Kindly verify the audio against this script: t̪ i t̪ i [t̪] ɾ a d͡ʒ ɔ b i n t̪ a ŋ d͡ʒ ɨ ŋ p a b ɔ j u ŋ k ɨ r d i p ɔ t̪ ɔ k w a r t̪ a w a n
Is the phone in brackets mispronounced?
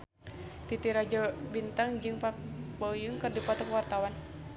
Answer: yes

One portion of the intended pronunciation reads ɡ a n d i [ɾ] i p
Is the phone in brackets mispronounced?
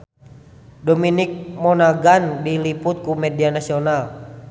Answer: yes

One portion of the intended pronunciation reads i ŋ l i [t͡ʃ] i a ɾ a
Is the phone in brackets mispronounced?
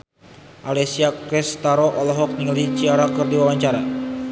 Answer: no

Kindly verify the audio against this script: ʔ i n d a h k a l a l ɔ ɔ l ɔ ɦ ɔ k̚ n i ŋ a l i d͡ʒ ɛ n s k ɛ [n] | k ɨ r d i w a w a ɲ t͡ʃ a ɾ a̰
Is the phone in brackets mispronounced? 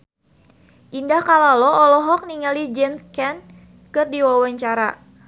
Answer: no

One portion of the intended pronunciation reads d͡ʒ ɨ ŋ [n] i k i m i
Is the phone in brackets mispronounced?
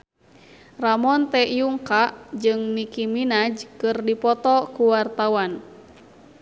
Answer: no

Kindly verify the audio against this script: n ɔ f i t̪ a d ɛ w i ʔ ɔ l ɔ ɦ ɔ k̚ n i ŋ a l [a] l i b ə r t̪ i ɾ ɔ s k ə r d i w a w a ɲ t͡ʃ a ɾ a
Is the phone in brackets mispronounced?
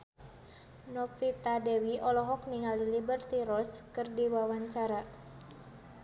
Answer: yes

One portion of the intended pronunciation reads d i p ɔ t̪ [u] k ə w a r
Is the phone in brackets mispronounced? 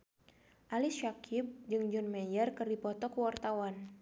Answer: yes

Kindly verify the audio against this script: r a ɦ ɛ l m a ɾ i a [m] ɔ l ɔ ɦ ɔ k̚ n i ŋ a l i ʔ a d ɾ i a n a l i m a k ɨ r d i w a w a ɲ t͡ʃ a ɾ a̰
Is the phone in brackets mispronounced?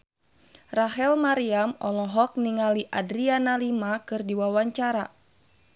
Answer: no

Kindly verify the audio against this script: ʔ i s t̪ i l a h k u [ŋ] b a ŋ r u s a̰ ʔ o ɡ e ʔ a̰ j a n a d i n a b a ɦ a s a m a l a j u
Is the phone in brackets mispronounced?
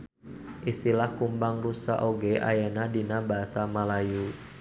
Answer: yes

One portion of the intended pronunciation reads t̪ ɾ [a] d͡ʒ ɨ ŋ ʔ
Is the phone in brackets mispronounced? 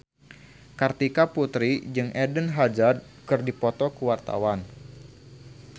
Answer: yes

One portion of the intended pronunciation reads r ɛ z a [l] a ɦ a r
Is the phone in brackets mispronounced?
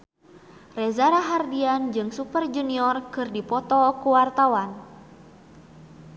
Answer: yes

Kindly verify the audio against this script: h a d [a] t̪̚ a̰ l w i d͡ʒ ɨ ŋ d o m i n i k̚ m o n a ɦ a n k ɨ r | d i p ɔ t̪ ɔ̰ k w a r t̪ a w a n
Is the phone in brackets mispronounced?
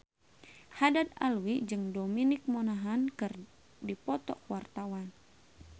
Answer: no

